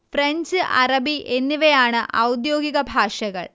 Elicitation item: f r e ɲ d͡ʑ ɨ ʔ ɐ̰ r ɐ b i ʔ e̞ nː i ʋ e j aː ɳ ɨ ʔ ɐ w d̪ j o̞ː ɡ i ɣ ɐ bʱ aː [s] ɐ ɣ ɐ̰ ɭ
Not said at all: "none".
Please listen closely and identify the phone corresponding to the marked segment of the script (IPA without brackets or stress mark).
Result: ʂ